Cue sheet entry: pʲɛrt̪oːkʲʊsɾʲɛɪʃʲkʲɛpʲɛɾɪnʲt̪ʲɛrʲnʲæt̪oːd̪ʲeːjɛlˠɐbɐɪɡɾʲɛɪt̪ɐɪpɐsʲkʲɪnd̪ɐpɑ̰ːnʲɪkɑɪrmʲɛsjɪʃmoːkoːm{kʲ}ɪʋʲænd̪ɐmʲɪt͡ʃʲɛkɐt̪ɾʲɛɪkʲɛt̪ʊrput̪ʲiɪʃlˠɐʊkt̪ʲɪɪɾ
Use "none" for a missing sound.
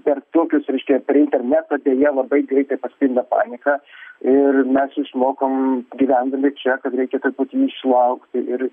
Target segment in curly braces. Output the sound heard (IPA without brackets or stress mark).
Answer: ɡʲ